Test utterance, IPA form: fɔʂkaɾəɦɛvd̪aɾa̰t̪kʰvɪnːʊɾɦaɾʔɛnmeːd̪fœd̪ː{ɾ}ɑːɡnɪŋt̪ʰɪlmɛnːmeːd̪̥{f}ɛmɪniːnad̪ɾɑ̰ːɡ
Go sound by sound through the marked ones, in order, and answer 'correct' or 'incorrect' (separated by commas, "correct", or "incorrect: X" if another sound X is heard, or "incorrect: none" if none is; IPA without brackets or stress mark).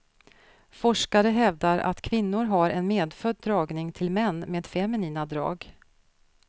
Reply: correct, correct